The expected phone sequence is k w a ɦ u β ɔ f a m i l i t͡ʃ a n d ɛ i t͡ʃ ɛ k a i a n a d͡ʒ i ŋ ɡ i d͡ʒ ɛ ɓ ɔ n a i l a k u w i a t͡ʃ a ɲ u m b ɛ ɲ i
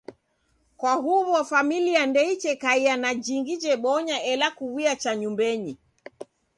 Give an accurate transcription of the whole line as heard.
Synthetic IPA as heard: k w a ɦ u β ɔ f a m i l i a n d ɛ i t͡ʃ ɛ k a i a n a d͡ʒ i ŋ ɡ i d͡ʒ ɛ ɓ ɔ ɲ a ɛ l a k u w i a t͡ʃ a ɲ u m b ɛ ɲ i